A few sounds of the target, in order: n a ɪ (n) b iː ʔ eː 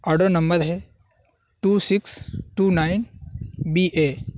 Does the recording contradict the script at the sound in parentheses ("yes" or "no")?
no